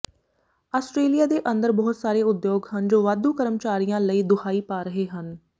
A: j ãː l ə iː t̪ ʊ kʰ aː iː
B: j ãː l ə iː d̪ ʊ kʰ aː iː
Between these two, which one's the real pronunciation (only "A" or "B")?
B